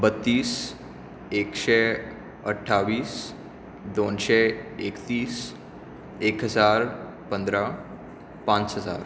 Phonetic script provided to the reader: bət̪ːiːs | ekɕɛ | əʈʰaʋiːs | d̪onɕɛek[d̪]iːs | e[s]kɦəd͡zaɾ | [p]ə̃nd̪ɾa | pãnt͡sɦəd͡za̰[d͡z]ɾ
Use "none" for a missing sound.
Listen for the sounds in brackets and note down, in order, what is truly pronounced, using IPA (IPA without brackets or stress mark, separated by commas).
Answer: t̪, none, p, none